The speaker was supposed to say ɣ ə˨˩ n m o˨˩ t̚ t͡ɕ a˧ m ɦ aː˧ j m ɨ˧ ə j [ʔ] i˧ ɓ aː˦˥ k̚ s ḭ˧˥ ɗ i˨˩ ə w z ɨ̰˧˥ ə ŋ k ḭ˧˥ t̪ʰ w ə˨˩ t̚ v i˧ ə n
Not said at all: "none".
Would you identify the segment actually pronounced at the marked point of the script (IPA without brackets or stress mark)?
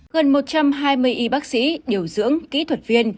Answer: ʔ